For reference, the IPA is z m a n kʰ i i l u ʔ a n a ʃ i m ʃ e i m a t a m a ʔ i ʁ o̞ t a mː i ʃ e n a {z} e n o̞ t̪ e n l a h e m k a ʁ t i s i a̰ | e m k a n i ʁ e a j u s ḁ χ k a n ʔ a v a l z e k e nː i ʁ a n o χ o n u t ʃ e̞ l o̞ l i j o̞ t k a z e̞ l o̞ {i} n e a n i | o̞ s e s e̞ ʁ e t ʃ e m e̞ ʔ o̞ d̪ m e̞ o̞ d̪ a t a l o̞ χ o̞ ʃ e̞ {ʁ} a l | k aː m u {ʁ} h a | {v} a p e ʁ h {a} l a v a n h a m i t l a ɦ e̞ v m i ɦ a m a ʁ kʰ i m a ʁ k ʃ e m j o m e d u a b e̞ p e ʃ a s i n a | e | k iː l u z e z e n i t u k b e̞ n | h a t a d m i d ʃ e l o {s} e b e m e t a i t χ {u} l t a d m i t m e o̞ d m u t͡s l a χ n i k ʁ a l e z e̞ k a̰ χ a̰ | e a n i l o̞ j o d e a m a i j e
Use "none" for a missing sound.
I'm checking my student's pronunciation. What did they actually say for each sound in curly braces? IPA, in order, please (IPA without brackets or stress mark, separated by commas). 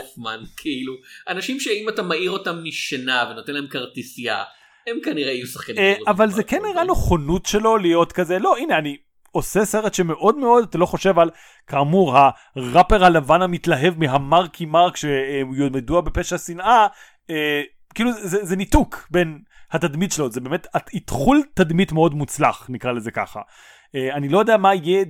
v, i, v, ʁ, ʁ, a, z, u